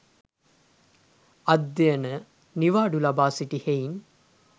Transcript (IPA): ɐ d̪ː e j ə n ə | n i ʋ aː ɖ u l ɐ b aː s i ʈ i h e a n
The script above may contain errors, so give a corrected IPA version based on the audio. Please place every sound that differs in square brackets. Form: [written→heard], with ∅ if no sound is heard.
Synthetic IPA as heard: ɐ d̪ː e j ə n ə | n i ʋ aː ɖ u l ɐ b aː s i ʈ i h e [a→i] n